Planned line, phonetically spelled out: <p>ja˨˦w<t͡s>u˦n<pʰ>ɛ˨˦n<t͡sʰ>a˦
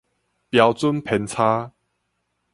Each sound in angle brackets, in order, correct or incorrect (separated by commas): correct, correct, correct, correct